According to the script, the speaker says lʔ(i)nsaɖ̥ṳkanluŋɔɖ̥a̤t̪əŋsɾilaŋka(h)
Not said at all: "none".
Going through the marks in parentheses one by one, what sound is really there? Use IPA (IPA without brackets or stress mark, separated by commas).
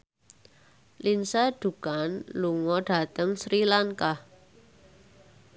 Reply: i, h